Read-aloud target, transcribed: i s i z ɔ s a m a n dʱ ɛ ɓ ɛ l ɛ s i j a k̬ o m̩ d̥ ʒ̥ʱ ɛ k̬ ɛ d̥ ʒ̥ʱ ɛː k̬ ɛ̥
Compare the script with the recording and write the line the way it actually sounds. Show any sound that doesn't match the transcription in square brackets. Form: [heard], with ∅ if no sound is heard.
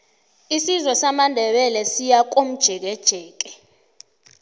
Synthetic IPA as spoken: i s i z ɔ s a m a n dʱ ɛ ɓ ɛ l ɛ s i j a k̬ o m̩ d̥ ʒ̥ʱ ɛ k̬ ɛ d̥ ʒ̥ʱ ɛː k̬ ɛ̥